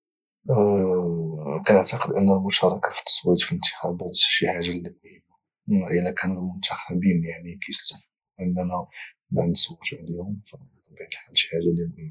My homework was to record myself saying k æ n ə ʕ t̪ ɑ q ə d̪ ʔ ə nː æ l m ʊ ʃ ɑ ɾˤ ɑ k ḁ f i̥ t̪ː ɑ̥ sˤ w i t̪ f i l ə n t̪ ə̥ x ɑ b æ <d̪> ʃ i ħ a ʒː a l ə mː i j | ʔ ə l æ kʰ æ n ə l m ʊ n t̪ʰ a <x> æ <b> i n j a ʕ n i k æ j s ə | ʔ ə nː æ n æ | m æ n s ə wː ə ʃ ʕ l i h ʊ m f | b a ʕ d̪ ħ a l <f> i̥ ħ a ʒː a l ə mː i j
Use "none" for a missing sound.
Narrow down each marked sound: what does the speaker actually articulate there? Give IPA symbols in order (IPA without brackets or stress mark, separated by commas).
t̪, x, b, ʃ